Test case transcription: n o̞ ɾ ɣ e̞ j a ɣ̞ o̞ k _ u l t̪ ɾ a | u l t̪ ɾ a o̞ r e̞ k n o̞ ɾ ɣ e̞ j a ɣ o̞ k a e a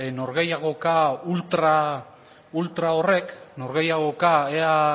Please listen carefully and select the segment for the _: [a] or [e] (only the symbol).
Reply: a